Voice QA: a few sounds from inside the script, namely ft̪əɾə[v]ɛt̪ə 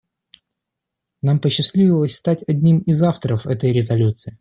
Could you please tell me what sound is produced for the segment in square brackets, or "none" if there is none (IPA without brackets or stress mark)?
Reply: f